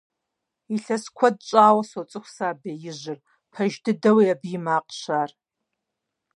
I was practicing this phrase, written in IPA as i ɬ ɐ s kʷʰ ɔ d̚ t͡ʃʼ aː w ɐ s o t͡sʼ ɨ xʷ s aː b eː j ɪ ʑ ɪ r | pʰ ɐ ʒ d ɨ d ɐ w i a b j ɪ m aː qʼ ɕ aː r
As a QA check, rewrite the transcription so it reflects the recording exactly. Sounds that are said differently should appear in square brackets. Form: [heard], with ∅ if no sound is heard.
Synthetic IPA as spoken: i ɬ ɐ s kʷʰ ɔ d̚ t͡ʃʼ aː w ɐ s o t͡sʼ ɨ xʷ s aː b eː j ɪ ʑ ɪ r | pʰ ɐ ʒ d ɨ d ɐ w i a b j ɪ m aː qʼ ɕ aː r